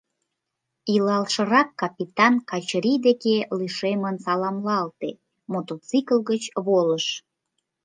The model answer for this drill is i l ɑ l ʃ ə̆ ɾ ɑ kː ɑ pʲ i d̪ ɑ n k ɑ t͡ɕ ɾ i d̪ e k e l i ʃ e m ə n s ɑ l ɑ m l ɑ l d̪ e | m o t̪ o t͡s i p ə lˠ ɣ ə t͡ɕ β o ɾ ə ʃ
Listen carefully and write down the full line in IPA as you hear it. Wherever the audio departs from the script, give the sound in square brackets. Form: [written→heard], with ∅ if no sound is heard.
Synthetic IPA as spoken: i l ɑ l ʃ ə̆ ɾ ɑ kː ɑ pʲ i [d̪→t̪] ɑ n k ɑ t͡ɕ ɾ i d̪ e k e l i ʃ e m ə n s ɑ l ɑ m l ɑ l [d̪→t̪] e | m o t̪ o t͡s i [p→k] ə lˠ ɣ ə t͡ɕ β o [ɾ→l] ə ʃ